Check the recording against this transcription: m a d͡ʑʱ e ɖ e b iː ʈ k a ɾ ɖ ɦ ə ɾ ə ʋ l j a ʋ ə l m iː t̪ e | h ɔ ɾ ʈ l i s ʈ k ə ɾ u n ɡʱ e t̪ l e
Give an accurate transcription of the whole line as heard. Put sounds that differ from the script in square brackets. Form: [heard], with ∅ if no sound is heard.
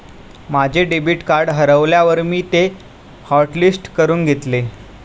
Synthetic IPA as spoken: m a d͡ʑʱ e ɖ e b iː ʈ k a ɾ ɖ ɦ ə ɾ ə ʋ l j a ʋ ə [ɾ] m iː t̪ e | h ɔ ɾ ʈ l i s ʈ k ə ɾ [uː] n ɡʱ e t̪ l e